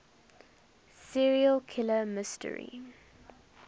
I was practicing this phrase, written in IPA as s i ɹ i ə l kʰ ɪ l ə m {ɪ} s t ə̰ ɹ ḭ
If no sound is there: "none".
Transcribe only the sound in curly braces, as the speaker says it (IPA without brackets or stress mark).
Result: ɪ